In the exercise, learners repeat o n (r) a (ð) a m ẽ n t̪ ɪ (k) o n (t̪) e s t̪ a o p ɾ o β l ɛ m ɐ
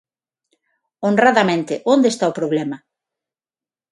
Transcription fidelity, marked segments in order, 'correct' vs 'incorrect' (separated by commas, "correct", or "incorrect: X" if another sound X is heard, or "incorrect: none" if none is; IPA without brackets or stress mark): correct, correct, incorrect: ʔ, incorrect: d̪